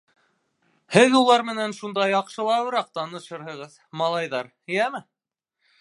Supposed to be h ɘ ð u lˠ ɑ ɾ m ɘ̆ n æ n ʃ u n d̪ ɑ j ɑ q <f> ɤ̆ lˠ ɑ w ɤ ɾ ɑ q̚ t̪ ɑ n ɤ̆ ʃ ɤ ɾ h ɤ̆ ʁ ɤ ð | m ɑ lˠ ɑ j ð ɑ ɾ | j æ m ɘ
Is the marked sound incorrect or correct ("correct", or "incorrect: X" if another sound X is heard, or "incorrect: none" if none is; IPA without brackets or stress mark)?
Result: incorrect: ʃ